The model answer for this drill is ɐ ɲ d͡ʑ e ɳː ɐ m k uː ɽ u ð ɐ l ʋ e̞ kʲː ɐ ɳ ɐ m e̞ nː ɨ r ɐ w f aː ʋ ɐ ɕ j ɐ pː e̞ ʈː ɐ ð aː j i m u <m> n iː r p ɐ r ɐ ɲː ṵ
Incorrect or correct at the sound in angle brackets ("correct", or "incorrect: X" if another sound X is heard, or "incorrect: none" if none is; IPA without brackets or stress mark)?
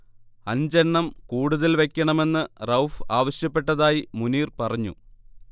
incorrect: none